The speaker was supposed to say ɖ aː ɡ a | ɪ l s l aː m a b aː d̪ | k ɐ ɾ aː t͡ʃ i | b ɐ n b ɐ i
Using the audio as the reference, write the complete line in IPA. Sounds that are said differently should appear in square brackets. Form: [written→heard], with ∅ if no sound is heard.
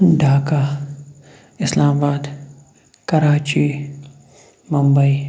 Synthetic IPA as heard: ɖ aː [ɡ→k] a | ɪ [l→∅] s l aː m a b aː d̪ | k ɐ ɾ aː t͡ʃ i | [b→m] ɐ [n→m] b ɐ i